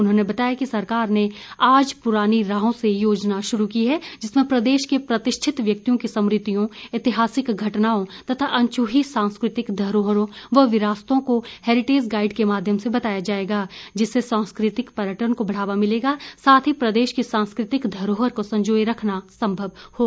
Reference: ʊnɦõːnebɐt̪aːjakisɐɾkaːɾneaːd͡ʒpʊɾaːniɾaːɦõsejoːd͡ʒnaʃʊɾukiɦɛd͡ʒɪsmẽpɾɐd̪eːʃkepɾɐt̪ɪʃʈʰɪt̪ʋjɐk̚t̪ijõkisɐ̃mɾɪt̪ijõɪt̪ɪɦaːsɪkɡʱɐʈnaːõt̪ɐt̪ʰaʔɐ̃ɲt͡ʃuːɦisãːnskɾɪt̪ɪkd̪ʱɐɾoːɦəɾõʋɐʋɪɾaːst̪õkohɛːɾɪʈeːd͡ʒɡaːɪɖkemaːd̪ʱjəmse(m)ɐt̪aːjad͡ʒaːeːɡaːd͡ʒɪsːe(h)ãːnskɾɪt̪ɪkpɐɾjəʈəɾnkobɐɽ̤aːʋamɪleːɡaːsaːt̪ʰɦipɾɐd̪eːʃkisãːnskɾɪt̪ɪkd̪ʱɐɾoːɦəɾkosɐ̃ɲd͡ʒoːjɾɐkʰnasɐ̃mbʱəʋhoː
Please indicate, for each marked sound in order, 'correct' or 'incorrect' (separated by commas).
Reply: incorrect, incorrect